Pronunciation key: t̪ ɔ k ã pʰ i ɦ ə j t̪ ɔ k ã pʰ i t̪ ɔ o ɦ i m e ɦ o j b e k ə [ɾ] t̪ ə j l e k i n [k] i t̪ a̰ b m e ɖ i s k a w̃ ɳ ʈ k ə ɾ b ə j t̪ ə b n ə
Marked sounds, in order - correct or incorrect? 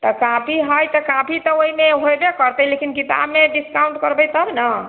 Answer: correct, correct

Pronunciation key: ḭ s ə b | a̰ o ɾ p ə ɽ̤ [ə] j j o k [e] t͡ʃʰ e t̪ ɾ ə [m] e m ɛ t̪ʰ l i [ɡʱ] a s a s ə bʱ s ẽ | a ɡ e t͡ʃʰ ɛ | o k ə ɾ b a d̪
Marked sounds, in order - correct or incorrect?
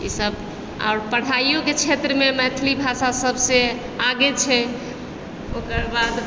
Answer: incorrect, correct, correct, incorrect

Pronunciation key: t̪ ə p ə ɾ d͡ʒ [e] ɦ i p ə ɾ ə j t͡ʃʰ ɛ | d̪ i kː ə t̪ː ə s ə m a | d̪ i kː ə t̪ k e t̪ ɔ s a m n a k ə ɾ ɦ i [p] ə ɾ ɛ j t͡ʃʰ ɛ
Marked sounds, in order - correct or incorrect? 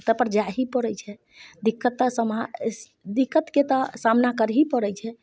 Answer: incorrect, correct

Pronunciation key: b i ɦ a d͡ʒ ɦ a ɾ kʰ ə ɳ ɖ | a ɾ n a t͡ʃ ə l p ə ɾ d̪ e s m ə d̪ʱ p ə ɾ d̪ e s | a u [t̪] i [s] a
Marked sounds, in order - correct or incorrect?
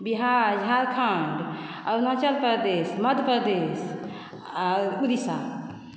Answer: incorrect, correct

